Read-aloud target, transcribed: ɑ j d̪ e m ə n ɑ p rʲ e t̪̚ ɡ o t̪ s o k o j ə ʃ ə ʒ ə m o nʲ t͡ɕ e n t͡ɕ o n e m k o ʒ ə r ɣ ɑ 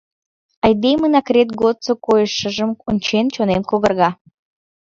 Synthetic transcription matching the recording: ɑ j d̪ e m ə n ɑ k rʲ e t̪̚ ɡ o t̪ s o k o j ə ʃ ə ʒ ə m o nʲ t͡ɕ e n t͡ɕ o n e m k o ɣ ə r ɣ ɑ

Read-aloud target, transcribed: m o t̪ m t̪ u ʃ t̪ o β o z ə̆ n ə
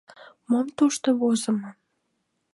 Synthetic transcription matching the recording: m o m t̪ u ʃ t̪ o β o z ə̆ m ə

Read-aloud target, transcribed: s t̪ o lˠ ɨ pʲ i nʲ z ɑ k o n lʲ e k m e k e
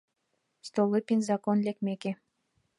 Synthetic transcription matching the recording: s t̪ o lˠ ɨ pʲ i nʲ z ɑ k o n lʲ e k m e k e

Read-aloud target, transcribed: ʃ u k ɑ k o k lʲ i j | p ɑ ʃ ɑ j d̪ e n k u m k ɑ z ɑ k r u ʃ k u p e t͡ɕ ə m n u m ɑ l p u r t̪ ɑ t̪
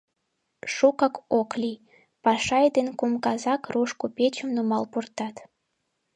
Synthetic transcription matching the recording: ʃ u k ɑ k o k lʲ i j | p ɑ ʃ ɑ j d̪ e n k u m k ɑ z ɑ k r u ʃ k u p e t͡ɕ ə m n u m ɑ l p u r t̪ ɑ t̪

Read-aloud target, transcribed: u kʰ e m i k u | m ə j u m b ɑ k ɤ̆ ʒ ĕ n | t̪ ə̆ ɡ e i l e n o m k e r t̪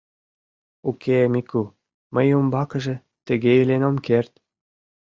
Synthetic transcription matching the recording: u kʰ e m i k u | m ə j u m b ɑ k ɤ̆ ʒ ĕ | t̪ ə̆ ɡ e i l e n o m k e r t̪

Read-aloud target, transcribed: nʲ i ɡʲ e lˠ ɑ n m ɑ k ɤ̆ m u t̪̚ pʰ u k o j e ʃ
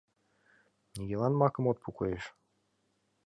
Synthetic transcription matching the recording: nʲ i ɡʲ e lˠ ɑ n m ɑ k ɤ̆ m o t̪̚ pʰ u k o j e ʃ

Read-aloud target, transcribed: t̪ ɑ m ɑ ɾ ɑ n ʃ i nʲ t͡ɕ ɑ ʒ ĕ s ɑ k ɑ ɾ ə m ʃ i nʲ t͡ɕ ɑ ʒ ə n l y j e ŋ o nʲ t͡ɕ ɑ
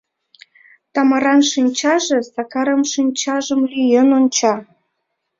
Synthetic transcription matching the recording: t̪ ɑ m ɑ ɾ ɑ n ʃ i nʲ t͡ɕ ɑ ʒ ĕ s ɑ k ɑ ɾ ə m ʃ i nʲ t͡ɕ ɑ ʒ ə m l y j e n o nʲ t͡ɕ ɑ

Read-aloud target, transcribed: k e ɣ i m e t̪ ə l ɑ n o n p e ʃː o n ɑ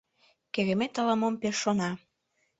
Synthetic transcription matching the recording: k e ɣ e m e t̪ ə l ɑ m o m p e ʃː o n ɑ

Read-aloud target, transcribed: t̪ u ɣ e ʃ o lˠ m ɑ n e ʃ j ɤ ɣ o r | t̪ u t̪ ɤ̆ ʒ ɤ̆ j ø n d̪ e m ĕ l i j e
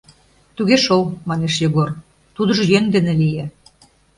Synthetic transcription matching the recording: t̪ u ɣ e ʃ o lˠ m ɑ n e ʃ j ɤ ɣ o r | t̪ u d̪ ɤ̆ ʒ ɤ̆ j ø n d̪ e n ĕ l i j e

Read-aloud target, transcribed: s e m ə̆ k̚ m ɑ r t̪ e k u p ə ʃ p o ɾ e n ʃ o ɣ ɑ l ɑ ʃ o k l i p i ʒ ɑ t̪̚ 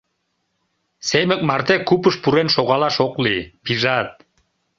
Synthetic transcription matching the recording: s e m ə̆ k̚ m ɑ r t̪ e k u p ə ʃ p u ɾ e n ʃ o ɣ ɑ l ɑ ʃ o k l i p i ʒ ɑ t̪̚

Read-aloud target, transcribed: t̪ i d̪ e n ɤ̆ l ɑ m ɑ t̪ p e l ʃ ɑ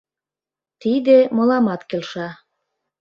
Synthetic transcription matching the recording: t̪ i d̪ e m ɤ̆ l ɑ m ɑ t̪ k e l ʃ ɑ

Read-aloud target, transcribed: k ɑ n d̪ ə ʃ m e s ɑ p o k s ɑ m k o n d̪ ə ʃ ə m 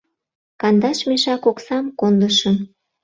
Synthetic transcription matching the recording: k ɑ n d̪ ɑ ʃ m e ʃ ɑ k o k s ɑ m k o n d̪ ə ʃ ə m

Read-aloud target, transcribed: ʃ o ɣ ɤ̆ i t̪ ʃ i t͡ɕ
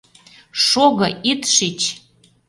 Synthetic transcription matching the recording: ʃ o ɣ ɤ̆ i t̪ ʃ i t͡ɕ

